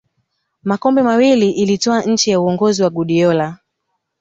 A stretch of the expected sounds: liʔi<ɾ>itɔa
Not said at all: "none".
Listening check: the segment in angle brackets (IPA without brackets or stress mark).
l